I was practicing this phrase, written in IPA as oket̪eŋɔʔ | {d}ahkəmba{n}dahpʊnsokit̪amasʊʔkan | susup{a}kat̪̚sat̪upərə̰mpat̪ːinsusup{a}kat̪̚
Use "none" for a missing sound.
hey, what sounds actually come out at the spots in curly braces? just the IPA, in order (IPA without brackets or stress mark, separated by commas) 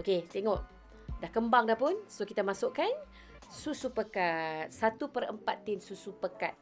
d, ŋ, ə, ə